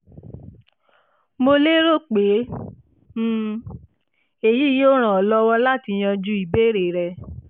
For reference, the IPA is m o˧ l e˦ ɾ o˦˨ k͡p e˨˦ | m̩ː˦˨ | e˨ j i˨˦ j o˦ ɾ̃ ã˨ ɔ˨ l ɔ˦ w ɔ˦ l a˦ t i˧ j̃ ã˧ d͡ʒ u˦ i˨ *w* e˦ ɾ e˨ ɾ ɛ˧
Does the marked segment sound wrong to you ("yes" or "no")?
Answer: yes